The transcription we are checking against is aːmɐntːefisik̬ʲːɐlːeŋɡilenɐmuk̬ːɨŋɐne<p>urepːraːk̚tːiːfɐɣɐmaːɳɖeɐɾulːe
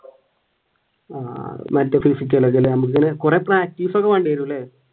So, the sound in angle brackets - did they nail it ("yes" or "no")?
no